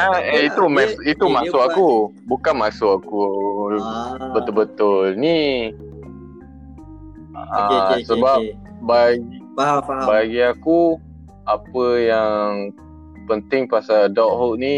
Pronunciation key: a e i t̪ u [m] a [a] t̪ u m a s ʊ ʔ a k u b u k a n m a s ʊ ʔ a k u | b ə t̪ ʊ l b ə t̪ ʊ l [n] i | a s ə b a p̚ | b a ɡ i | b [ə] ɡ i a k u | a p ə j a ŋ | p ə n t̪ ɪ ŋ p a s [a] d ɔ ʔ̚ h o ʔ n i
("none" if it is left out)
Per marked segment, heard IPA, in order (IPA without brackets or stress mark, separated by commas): m, i, n, a, a